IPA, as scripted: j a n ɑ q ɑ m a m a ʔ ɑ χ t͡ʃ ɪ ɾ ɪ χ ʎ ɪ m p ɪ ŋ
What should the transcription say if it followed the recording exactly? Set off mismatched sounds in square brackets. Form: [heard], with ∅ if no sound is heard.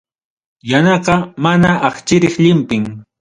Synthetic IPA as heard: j a n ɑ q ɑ m a [n] a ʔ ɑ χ t͡ʃ ɪ ɾ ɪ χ ʎ ɪ m p ɪ ŋ

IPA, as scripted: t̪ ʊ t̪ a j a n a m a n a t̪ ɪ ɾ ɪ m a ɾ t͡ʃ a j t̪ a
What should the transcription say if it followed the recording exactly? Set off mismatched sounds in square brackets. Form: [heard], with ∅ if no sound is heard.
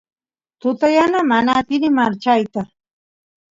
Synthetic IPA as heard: t̪ ʊ t̪ a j a n a m a n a t̪ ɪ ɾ ɪ m a ɾ t͡ʃ a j t̪ a

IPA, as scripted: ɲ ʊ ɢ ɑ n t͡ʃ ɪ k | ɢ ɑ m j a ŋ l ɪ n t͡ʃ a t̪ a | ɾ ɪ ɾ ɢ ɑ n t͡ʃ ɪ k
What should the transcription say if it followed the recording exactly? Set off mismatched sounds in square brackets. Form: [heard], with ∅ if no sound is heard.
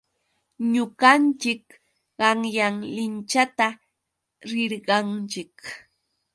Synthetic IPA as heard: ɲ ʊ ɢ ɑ n t͡ʃ ɪ k | ɢ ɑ [ŋ] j a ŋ l ɪ n t͡ʃ a t̪ a | ɾ ɪ ɾ ɢ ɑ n t͡ʃ ɪ k

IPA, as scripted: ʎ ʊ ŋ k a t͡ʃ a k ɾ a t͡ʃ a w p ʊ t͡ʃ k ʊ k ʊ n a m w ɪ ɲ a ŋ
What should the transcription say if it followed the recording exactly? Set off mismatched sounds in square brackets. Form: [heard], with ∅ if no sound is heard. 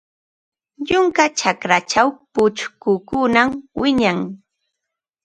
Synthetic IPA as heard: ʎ ʊ ŋ k a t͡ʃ a k ɾ a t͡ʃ a w p ʊ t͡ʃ k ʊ k ʊ n a m w ɪ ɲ a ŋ

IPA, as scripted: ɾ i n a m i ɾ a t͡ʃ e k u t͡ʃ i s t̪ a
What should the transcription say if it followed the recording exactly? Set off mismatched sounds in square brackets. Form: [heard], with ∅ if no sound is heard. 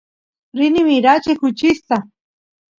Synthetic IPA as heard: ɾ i n [i] m i ɾ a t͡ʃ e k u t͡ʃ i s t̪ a

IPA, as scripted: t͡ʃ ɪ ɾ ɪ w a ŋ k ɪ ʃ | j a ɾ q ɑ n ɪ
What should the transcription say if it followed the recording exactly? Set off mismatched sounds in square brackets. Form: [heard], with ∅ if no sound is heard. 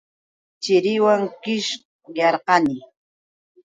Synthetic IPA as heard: t͡ʃ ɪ ɾ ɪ w a ŋ k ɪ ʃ | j [ɑ] ɾ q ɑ n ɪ

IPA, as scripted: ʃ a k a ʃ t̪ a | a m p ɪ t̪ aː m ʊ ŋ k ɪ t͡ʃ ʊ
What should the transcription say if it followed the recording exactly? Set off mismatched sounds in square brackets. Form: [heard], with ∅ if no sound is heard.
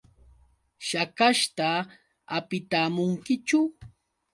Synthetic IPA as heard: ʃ a k a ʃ t̪ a | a [∅] p ɪ t̪ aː m ʊ ŋ k ɪ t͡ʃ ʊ

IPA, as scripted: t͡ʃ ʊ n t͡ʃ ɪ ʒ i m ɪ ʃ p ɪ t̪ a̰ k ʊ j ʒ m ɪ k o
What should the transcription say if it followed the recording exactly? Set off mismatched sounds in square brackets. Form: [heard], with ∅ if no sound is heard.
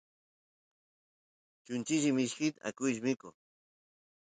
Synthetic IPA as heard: t͡ʃ ʊ n t͡ʃ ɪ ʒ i m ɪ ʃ [k] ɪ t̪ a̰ k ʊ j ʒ m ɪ k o

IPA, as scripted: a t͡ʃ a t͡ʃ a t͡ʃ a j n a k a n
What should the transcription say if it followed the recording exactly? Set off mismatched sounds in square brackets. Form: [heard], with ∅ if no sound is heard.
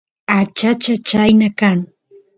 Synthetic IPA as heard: a t͡ʃ a t͡ʃ a t͡ʃ a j n a k a [ŋ]

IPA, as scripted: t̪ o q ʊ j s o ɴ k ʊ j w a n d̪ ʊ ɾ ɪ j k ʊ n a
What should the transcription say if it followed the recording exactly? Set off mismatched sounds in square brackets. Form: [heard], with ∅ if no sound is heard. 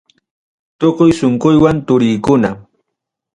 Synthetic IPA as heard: t̪ o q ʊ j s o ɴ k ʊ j w a n [t̪] ʊ ɾ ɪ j k ʊ n a

